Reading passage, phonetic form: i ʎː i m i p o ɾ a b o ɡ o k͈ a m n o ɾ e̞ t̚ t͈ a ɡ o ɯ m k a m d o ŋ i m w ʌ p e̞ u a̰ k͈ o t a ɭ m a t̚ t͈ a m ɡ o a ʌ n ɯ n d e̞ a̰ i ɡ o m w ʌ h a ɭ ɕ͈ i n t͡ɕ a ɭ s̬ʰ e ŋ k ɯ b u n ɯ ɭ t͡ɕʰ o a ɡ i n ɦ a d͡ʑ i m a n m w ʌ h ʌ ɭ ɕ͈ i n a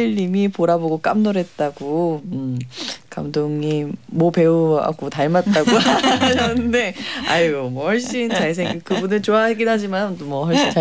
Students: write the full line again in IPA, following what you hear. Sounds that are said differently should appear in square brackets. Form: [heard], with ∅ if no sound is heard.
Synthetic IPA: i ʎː i m i p o ɾ a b o ɡ o k͈ a m n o ɾ e̞ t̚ t͈ a ɡ o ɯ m k a m d o ŋ i m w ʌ p e̞ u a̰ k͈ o t a ɭ m a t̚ t͈ a [∅] ɡ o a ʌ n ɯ n d e̞ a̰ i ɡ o m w ʌ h [ʌ] ɭ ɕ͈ i n t͡ɕ a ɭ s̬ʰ e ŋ k ɯ b u n ɯ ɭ [t͡ɕ] o a ɡ i n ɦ a d͡ʑ i m a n m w ʌ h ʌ ɭ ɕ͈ i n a